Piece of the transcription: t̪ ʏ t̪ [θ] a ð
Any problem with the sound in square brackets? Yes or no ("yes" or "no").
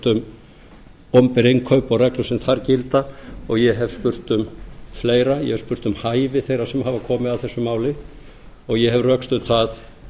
no